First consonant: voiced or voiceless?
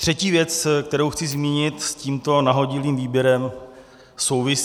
voiceless